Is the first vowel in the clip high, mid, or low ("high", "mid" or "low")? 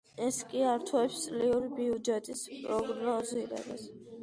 mid